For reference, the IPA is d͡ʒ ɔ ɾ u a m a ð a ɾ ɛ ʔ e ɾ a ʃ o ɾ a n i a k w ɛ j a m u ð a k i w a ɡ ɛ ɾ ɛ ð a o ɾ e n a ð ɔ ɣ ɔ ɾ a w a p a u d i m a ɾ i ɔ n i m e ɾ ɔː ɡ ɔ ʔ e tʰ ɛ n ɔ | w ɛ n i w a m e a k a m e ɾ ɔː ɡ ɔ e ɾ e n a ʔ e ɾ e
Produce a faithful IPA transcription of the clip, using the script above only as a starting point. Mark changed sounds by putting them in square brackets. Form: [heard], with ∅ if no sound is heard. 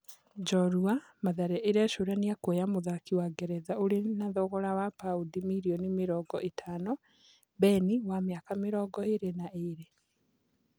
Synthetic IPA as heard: d͡ʒ ɔ ɾ u a m a ð a ɾ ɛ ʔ e ɾ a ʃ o ɾ a n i a k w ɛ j a m [o] ð a k i w a ɡ ɛ ɾ ɛ ð a o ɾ e n a ð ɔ ɣ ɔ ɾ a w a p a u d i m [i] ɾ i ɔ n i m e ɾ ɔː ɡ ɔ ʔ e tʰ [a] n ɔ | [b] ɛ n i w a m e a k a m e ɾ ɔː ɡ ɔ e ɾ e n a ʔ e ɾ e